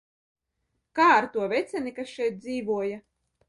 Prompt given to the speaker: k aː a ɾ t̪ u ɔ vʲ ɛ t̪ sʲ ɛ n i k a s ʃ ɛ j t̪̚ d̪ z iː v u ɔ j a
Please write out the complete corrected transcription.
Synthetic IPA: k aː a ɾ t̪ u ɔ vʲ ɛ t̪ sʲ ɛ n i k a s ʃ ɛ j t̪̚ d̪ z iː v u ɔ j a